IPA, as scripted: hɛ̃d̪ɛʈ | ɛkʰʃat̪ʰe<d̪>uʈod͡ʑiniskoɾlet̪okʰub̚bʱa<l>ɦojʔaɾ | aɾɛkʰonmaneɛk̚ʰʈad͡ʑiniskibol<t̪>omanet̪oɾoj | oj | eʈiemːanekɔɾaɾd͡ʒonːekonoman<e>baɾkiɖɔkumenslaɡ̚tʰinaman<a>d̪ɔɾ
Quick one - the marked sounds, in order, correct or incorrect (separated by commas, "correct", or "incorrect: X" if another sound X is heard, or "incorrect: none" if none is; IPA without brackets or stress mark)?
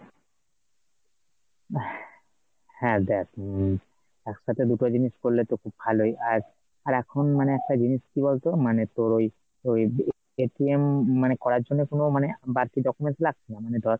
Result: correct, correct, correct, correct, incorrect: e